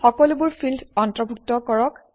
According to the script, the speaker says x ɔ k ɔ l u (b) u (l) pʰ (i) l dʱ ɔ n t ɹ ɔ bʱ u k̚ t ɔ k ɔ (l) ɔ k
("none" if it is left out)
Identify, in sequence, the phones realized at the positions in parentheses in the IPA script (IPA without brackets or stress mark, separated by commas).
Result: b, ɹ, i, ɹ